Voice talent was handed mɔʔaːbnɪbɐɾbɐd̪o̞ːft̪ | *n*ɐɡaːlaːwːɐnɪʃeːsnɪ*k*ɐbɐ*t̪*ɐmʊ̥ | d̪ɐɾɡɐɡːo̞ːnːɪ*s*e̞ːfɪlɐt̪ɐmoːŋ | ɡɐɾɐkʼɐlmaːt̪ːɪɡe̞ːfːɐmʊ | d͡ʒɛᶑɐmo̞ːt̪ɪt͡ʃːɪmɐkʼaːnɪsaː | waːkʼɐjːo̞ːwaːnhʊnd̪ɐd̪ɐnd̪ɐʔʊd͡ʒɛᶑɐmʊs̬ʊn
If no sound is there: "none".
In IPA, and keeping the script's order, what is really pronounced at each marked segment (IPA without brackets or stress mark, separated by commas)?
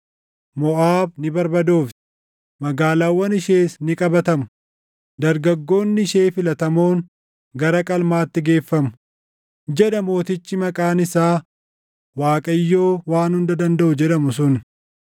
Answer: m, kʼ, t̪, ʃ